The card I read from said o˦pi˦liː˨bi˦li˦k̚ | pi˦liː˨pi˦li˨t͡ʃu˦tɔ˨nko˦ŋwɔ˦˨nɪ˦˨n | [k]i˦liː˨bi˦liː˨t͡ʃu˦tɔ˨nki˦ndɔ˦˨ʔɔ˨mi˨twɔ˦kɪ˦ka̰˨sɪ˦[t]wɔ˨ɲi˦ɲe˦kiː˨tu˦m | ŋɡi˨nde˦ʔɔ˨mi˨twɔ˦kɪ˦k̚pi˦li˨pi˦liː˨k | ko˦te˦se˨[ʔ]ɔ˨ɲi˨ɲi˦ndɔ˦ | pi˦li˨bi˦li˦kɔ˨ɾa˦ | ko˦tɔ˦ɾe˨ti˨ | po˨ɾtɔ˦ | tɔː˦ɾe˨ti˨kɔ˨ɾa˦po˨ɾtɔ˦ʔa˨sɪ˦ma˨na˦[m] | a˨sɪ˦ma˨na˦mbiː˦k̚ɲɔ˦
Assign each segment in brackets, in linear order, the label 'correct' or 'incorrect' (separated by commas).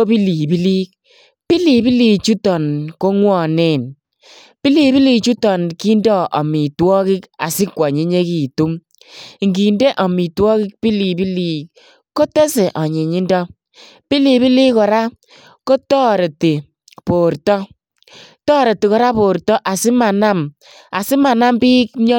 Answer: incorrect, incorrect, correct, correct